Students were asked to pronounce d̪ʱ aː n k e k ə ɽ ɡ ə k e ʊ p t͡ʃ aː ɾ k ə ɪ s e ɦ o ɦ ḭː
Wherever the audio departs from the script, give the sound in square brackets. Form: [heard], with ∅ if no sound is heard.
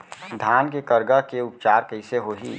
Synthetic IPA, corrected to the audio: d̪ʱ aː n k e k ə [ɾ] ɡ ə k e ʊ p t͡ʃ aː ɾ k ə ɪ s e ɦ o ɦ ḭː